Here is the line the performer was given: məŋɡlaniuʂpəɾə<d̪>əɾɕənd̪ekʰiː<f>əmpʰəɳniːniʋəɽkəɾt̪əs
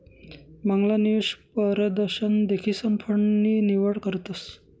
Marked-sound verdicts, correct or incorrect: correct, incorrect: s

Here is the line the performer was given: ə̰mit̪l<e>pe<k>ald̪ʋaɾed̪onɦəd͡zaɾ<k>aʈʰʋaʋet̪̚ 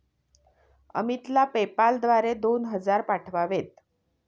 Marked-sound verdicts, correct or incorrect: incorrect: a, incorrect: p, incorrect: p

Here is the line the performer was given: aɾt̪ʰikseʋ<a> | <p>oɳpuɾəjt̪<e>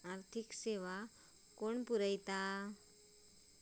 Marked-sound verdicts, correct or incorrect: correct, incorrect: k, incorrect: a

